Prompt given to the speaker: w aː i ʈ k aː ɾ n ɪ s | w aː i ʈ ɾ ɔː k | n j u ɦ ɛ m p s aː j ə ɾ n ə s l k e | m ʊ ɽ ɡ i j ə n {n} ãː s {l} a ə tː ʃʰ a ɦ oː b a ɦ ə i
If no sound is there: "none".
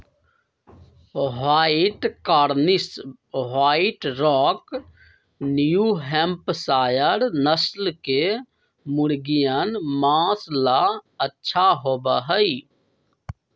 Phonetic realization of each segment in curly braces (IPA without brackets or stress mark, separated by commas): m, l